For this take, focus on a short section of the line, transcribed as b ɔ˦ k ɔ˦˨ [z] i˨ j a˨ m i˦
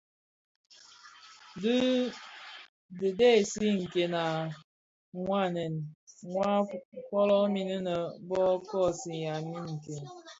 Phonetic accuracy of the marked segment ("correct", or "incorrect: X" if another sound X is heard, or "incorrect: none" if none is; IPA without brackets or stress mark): incorrect: s